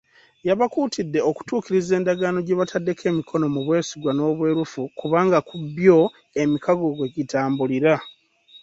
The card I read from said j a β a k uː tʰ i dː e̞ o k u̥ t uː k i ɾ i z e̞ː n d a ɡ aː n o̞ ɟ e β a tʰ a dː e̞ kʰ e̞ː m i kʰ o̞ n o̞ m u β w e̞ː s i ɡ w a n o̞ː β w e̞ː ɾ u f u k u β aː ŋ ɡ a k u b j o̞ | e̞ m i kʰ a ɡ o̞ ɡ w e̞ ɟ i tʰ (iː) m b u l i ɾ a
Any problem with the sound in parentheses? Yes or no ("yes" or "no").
yes